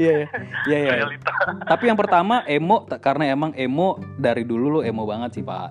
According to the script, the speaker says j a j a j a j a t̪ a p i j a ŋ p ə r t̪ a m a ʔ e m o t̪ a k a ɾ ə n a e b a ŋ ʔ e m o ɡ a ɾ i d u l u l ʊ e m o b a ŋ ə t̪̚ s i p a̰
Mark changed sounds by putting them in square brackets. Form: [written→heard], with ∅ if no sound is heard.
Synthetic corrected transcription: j a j a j a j a t̪ a p i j a ŋ p ə r t̪ a m a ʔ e m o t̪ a k a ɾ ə n a e [b→m] a ŋ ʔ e m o [ɡ→d] a ɾ i d u l u l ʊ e m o b a ŋ ə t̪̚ s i p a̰